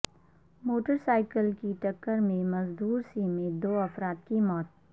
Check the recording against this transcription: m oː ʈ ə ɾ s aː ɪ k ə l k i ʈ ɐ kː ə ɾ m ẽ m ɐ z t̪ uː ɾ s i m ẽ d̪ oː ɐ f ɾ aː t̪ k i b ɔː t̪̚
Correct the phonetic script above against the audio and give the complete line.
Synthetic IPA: m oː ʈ ə ɾ s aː ɪ k ə l k i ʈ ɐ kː ə ɾ m ẽ m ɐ z d̪ uː ɾ s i m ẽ d̪ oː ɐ f ɾ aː t̪ k i m ɔː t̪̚

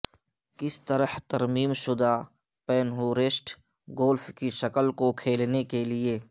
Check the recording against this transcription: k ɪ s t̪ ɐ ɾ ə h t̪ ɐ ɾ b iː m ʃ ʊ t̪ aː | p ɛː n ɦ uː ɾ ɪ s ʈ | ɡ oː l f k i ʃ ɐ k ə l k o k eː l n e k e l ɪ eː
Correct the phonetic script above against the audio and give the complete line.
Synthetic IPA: k ɪ s t̪ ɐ ɾ ə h t̪ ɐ ɾ m iː m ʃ ʊ d̪ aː | p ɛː n ɦ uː ɾ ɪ s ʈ | ɡ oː l f k i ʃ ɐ k ə l k o kʰ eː l n e k e l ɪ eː

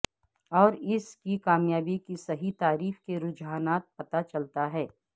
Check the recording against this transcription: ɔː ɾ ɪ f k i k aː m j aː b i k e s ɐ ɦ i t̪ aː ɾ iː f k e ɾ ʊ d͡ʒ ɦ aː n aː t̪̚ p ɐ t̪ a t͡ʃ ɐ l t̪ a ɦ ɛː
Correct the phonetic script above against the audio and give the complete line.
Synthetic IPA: ɔː ɾ ɪ s k i k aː m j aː b i k i s ɐ ɦ i t̪ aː ɾ iː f k e ɾ ʊ d͡ʒ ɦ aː n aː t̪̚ p ɐ t̪ a t͡ʃ ɐ l t̪ a ɦ ɛː

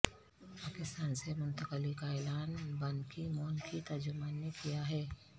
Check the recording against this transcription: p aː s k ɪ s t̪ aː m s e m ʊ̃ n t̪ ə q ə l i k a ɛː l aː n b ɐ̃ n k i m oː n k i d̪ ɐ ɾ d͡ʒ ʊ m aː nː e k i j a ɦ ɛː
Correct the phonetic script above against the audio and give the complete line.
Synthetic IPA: p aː k ɪ s t̪ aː n s e m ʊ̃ n t̪ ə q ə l i k a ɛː l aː n b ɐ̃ n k i m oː n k i t̪ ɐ ɾ d͡ʒ ʊ m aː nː e k i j a ɦ ɛː

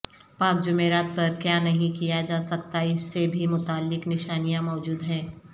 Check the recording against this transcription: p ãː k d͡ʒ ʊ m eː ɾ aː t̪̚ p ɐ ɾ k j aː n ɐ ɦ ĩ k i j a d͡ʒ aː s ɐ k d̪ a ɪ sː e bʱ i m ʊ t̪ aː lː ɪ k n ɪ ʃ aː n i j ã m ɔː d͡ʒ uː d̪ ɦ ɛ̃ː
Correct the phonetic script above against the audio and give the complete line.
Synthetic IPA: p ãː k d͡ʒ ʊ m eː ɾ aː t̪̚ p ɐ ɾ k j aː n ɐ ɦ ĩ k i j a d͡ʒ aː s ɐ k t̪ a ɪ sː e bʱ i m ʊ t̪ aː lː ɪ k n ɪ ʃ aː n i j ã m ɔː d͡ʒ uː d̪ ɦ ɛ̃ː

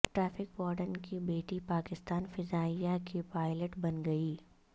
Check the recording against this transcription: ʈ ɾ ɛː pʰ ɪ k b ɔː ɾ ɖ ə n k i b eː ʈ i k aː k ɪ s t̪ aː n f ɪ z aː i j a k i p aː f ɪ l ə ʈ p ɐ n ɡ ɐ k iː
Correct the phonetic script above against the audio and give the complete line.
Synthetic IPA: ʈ ɾ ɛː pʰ ɪ k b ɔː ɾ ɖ ə n k i b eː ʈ i p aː k ɪ s t̪ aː n f ɪ z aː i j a k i p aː ɪ l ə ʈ b ɐ n ɡ ɐ iː

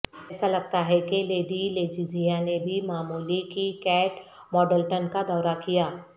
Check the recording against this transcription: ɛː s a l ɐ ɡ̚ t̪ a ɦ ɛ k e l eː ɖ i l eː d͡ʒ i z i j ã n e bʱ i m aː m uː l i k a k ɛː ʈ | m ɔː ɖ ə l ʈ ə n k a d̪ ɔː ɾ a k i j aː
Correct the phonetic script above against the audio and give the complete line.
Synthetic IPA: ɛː s a l ɐ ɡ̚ t̪ a ɦ ɛ k e l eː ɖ i l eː d͡ʒ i z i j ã n e bʱ i m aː m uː l i k i k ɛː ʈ | m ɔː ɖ ə l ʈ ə n k a d̪ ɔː ɾ a k i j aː

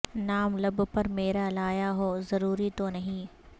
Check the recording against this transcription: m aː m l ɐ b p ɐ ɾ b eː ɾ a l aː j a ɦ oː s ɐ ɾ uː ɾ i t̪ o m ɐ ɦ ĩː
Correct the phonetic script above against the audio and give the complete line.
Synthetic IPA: n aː m l ɐ b p ɐ ɾ m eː ɾ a l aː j a ɦ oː z ɐ ɾ uː ɾ i t̪ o n ɐ ɦ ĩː

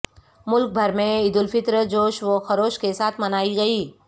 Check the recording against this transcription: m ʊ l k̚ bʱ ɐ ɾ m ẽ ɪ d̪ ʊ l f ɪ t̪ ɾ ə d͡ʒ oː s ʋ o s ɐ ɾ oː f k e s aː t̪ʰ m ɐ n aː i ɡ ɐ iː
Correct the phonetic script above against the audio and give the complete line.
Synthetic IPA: m ʊ l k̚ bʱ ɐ ɾ m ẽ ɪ d̪ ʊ l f ɪ t̪ ɾ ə d͡ʒ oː ʃ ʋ o x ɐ ɾ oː ʃ k e s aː t̪ʰ m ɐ n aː i ɡ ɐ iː

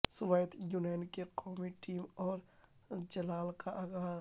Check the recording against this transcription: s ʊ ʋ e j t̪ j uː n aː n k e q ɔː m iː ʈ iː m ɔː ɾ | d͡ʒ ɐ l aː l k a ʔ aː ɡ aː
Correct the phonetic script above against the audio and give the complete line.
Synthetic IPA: s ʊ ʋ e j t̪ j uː n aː n k e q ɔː m i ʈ iː m ɔː ɾ | d͡ʒ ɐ l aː l k a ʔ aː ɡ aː

